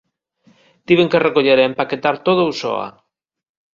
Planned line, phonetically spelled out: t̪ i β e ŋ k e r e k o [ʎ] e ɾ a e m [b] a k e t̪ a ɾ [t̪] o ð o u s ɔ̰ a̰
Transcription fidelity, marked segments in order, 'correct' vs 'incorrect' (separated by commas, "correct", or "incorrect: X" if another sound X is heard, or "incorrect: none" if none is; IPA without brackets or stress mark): correct, incorrect: p, correct